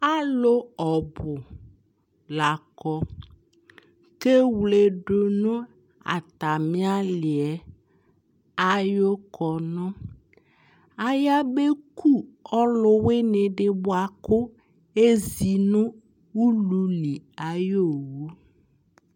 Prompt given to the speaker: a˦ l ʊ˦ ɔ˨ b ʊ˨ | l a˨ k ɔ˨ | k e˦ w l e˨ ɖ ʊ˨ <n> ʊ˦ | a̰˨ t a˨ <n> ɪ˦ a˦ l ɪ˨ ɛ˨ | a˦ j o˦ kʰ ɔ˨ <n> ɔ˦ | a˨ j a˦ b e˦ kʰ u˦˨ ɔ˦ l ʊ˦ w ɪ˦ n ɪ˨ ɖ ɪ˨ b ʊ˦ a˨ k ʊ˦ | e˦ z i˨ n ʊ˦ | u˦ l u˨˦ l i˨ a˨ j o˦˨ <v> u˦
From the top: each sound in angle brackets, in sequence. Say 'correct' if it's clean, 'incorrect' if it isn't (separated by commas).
correct, incorrect, correct, incorrect